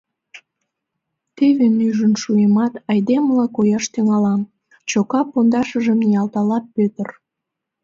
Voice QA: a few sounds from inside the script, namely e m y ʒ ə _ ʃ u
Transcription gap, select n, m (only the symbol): n